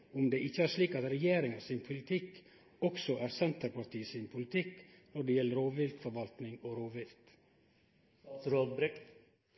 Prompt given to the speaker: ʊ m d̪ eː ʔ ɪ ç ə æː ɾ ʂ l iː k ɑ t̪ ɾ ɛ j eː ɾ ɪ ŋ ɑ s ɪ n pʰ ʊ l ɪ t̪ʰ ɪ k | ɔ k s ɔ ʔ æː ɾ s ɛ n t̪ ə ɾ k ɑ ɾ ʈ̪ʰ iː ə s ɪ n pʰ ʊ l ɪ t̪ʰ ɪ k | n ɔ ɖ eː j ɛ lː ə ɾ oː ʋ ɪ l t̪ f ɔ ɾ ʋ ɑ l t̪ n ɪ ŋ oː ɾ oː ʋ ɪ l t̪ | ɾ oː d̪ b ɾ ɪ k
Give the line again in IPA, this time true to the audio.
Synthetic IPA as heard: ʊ m d̪ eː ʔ ɪ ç ə æː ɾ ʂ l iː k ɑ t̪ ɾ ɛ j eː ɾ ɪ ŋ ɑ s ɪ n pʰ ʊ l ɪ t̪ʰ ɪ k | ɔ k s ɔ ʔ æː ɾ s ɛ n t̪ ə ɾ p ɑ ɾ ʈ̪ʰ iː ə s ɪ n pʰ ʊ l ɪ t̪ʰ ɪ k | n ɔ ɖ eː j ɛ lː ə ɾ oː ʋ ɪ l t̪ f ɔ ɾ ʋ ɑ l t̪ n ɪ ŋ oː ɾ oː ʋ ɪ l t̪ | ɾ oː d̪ b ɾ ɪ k